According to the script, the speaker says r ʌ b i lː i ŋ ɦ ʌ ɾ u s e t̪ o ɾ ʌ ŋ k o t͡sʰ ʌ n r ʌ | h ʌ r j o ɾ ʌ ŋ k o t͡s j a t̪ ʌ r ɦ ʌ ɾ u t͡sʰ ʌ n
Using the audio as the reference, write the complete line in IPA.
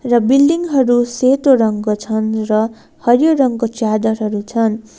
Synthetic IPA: r ʌ b i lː i ŋ ɦ ʌ ɾ u s e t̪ o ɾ ʌ ŋ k o t͡sʰ ʌ n r ʌ | h ʌ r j o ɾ ʌ ŋ k o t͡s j a d̪ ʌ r ɦ ʌ ɾ u t͡sʰ ʌ n